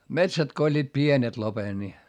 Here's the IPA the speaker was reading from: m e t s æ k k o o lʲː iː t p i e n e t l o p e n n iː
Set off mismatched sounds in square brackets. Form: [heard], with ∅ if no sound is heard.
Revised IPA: m e t s æ [t] k o o lʲː iː t p i e n e t l o p e n n [i]